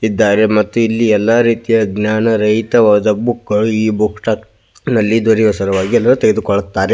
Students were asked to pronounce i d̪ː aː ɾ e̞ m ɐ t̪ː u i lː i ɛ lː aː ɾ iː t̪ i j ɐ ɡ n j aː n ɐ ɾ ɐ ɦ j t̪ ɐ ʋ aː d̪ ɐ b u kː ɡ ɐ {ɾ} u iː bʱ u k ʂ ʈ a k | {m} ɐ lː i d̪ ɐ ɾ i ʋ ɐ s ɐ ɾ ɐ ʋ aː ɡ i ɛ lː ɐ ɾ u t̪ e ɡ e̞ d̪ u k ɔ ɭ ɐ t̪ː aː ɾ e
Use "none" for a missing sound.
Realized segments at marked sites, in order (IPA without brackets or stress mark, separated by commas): ɭ, n